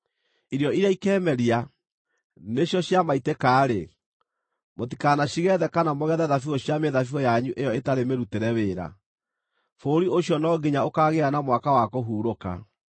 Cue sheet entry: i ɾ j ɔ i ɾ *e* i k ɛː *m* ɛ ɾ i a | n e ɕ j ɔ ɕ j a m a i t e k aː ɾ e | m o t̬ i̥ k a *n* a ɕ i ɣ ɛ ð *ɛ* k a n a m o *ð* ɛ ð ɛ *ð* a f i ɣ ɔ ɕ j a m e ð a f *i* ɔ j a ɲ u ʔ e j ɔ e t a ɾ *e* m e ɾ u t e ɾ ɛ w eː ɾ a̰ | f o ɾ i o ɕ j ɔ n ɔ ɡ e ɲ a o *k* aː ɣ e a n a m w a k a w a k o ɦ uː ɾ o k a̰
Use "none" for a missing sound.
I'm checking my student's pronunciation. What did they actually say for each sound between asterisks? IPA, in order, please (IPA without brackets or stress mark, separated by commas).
a, m, n, ɛ, ɣ, ð, i, e, k